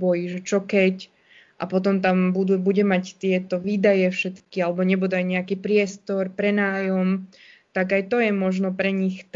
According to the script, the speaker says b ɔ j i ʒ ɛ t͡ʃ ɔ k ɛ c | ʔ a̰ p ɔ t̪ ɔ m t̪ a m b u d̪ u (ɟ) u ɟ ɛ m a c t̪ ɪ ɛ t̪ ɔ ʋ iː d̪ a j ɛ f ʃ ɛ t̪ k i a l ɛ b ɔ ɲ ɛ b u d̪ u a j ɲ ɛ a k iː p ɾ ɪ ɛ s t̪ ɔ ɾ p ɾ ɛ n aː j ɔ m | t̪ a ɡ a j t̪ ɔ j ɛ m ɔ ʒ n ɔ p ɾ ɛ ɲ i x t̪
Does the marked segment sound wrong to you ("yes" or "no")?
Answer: yes